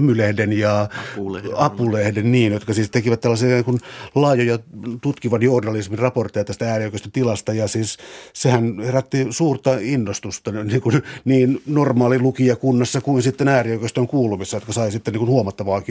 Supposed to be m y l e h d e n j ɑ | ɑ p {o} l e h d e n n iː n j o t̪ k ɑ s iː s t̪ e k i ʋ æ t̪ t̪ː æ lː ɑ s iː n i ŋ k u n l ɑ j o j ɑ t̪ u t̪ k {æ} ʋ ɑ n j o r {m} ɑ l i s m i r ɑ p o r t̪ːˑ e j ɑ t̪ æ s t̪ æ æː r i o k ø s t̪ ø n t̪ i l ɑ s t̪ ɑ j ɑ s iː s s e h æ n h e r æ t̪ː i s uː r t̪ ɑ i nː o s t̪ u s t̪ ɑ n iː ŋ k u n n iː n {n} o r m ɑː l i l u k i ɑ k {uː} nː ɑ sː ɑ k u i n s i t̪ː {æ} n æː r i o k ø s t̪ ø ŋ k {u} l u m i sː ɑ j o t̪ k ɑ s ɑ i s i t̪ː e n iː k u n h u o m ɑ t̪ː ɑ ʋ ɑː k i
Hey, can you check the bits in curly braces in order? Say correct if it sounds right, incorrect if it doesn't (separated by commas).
incorrect, incorrect, incorrect, correct, incorrect, incorrect, incorrect